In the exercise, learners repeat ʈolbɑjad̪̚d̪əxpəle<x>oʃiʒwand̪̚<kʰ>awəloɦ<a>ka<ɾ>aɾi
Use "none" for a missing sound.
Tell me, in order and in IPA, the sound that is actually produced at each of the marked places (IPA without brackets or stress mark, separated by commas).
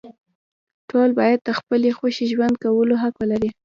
x, k, a, l